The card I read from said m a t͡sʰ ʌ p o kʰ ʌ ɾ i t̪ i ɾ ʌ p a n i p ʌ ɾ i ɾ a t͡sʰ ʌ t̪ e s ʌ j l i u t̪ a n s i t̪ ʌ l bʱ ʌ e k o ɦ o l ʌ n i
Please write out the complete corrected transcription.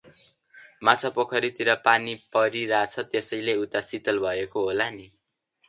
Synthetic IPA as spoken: m a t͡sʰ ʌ p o kʰ ʌ ɾ i t̪ i ɾ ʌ p a n i p ʌ ɾ i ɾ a t͡sʰ ʌ t̪ e s ʌ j l e u t̪ a s i t̪ ʌ l bʱ ʌ e k o ɦ o l a n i